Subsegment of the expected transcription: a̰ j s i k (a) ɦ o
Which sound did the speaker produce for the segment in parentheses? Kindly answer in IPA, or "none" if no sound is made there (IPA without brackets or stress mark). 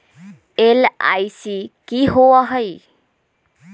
i